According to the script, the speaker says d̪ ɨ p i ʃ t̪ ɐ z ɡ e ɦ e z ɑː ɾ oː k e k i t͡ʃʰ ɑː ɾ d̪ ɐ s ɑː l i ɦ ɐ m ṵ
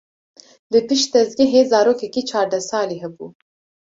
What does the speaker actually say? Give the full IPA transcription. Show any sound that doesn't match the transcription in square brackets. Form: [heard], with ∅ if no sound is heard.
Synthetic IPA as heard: d̪ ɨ p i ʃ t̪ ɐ z ɡ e ɦ e z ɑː ɾ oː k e k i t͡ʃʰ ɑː ɾ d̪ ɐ s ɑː l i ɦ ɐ [b] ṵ